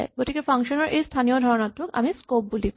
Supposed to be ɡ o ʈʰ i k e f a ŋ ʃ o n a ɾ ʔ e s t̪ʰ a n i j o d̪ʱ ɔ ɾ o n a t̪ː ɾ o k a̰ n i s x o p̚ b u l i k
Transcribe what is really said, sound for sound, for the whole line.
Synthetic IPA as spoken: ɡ o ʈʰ i k e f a ŋ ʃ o n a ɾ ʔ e s t̪ʰ a n i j o d̪ʱ ɔ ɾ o n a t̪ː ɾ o k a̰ m i s k o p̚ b u l i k

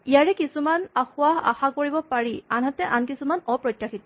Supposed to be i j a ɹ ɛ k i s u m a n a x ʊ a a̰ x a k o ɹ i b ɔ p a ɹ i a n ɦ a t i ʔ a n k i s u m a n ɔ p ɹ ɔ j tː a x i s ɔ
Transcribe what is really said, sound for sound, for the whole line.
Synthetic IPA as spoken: i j a ɹ ɛ k i s u m a n a x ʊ a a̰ x a k o ɹ i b ɔ p a ɹ i a n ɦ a t ɛ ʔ a n k i s u m a n ɔ p ɹ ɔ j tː a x i t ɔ

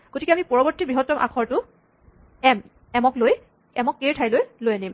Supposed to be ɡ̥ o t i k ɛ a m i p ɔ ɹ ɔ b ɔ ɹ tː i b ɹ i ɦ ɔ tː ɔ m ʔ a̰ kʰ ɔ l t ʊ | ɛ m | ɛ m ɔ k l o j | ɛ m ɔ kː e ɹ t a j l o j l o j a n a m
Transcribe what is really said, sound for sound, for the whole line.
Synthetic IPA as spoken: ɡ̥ o t i k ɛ a m i p ɔ ɹ ɔ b ɔ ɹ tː i b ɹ i ɦ ɔ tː ɔ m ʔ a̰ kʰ ɔ ɹ t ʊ | ɛ m | ɛ m ɔ k l o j | ɛ m ɔ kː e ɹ tʰ a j l o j l o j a n i m

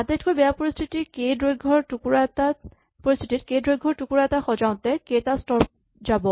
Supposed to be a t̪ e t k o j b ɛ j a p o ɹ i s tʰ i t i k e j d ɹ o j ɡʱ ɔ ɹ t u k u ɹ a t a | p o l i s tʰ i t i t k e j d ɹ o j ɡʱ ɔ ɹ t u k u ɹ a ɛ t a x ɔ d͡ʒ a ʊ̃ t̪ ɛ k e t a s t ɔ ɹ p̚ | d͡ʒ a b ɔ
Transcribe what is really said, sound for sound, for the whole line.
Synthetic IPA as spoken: a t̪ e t k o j b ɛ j a p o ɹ i s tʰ i t i k e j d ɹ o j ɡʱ ɔ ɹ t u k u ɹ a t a | p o ɹ i s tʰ i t i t k e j d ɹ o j ɡʱ ɔ ɹ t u k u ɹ a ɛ t a x ɔ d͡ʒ a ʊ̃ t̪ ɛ k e t a s t ɔ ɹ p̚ | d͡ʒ a b ɔ

